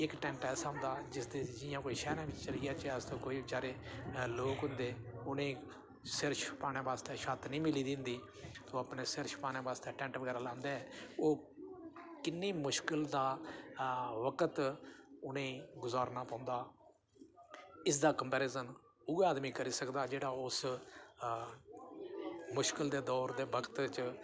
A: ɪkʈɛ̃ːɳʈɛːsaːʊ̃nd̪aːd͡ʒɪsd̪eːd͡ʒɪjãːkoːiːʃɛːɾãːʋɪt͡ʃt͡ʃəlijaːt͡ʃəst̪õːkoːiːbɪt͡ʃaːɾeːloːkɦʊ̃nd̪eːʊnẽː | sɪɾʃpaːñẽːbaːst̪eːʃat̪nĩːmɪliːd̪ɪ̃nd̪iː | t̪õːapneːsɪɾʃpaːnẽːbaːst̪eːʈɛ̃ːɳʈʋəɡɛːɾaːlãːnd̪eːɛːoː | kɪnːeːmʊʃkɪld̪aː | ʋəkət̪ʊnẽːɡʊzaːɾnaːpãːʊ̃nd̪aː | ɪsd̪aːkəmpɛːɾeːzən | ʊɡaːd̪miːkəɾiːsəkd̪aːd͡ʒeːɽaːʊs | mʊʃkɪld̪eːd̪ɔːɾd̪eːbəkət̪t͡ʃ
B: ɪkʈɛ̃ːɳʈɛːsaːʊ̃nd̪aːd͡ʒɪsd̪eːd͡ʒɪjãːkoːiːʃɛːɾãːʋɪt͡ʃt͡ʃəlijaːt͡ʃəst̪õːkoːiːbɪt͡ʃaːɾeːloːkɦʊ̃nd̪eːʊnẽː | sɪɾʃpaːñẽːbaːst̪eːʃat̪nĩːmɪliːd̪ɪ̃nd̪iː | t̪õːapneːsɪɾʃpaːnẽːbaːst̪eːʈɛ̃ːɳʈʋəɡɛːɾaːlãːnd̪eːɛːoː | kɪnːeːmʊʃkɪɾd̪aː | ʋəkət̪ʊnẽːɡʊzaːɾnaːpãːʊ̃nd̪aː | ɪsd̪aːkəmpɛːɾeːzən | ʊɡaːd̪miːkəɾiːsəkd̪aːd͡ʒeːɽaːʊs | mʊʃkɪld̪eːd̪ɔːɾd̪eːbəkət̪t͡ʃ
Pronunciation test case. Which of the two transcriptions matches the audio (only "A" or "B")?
A